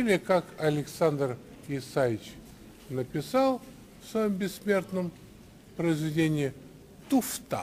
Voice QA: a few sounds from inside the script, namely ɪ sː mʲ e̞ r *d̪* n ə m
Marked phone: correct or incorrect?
incorrect